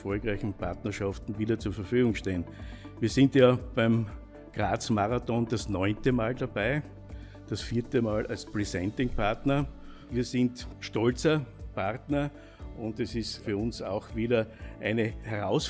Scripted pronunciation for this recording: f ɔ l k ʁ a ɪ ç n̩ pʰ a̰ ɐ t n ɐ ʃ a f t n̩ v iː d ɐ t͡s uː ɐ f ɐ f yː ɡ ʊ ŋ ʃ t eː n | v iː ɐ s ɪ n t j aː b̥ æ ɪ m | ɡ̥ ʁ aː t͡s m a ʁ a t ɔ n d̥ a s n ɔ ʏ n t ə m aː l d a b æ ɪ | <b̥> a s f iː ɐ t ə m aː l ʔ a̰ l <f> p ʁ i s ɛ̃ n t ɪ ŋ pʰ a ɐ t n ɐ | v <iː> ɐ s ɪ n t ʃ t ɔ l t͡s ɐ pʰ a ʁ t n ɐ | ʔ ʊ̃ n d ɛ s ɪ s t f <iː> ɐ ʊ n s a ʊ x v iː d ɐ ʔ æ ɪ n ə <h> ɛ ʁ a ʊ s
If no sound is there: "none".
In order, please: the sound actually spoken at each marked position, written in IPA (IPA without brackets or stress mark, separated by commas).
d̥, s, iː, yː, h